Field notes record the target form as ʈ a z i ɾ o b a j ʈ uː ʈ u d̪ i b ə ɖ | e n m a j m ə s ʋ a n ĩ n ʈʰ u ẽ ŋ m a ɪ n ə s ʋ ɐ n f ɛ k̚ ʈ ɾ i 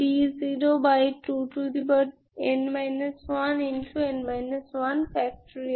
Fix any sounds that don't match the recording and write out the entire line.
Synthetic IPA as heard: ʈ i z i ɾ o b a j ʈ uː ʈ u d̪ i b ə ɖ | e n m a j n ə s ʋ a n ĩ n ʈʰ u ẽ n m a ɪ n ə s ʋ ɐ n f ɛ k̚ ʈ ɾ i